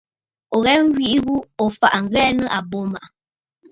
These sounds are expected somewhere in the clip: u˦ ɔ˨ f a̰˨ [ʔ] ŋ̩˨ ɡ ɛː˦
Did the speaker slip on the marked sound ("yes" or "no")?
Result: no